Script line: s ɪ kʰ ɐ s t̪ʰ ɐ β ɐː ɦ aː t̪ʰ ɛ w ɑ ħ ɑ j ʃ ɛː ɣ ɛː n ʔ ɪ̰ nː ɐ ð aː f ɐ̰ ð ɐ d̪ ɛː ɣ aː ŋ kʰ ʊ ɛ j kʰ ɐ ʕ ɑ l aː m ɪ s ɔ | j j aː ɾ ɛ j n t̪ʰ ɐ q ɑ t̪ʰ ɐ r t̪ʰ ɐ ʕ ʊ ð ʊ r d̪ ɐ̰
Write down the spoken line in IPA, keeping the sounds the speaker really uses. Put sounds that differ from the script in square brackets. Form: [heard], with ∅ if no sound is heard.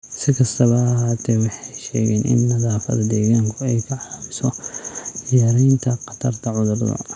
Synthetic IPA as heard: s ɪ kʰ ɐ s t̪ʰ ɐ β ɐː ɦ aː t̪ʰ ɛ w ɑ ħ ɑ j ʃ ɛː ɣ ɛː n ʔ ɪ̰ nː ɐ ð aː f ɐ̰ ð ɐ d̪ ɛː ɣ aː ŋ kʰ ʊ ɛ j kʰ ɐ ʕ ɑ l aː m ɪ s ɔ | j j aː ɾ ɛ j n t̪ʰ ɐ q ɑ t̪ʰ ɐ r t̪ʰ ɐ ʕ ʊ ð ʊ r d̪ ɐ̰

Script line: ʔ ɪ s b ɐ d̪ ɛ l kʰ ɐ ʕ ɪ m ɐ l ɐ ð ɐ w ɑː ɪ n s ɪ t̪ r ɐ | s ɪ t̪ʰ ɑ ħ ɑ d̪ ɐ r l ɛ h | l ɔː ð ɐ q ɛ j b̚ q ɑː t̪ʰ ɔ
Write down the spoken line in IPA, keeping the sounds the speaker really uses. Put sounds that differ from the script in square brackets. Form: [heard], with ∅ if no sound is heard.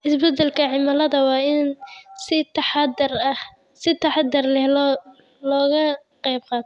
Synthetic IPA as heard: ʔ ɪ s b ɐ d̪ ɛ l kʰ ɐ ʕ ɪ m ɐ l ɐ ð ɐ w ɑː ɪ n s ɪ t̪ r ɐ | s ɪ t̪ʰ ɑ ħ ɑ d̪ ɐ r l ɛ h | l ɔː [ɣ] ɐ q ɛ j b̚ q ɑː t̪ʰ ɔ

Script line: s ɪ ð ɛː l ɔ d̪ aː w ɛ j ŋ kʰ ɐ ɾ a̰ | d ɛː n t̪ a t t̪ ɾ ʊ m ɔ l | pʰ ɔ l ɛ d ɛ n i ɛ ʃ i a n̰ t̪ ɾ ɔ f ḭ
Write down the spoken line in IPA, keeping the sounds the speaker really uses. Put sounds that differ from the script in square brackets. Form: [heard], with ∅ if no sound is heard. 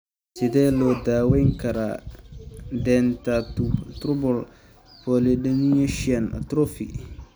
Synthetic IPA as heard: s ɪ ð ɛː l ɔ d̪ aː w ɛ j ŋ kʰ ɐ ɾ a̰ | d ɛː n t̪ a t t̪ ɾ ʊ [b] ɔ l | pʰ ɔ l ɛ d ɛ n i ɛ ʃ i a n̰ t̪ ɾ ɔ f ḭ

